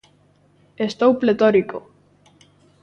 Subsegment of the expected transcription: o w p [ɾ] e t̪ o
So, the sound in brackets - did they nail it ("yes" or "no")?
no